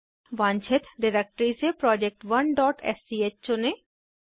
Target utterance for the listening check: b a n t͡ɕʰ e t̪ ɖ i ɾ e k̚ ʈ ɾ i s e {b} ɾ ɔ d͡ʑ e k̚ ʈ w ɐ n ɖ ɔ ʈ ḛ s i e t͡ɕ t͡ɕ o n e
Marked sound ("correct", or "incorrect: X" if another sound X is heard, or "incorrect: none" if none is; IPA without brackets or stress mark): incorrect: p